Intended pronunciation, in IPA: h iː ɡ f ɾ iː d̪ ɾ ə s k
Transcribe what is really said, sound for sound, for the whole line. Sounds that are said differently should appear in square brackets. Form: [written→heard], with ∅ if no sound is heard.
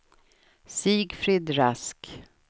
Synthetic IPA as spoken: [h→s] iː ɡ f ɾ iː d̪ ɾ [ə→a] s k